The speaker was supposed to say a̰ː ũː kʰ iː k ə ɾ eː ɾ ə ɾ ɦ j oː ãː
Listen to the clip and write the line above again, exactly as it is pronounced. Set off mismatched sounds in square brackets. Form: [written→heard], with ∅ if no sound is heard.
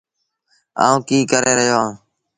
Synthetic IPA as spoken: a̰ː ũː [kʰ→k] iː k ə ɾ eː ɾ ə [ɾ→∅] ɦ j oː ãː